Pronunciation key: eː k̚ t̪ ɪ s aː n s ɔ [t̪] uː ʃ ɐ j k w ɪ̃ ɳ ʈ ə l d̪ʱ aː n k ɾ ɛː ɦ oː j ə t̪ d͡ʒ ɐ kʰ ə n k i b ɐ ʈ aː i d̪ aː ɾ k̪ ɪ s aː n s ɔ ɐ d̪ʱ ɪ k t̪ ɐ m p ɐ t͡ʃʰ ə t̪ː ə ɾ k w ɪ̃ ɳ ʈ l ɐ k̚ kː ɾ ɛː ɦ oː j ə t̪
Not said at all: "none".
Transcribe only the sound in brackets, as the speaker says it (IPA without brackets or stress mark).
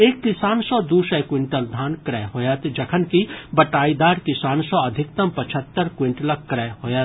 d̪